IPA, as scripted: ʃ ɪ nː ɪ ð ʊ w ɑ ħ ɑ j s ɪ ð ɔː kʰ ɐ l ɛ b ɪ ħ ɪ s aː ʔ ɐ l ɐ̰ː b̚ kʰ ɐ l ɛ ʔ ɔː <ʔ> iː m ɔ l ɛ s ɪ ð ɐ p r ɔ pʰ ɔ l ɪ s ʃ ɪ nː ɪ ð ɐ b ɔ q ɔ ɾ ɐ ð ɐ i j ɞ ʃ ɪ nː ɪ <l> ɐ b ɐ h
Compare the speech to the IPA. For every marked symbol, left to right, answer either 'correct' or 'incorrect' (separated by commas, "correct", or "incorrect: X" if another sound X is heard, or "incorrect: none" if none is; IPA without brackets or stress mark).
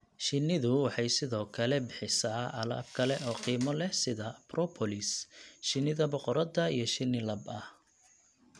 incorrect: q, correct